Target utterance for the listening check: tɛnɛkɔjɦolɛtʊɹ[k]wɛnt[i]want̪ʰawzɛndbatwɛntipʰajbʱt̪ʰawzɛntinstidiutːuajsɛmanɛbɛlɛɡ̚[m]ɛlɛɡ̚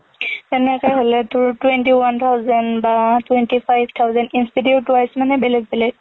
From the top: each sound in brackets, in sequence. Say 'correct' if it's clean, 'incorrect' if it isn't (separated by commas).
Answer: incorrect, correct, incorrect